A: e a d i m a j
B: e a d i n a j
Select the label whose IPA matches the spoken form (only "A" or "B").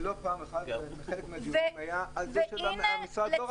A